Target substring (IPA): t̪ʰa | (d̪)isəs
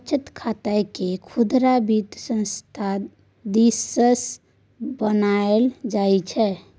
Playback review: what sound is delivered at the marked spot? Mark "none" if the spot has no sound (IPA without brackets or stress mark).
d̪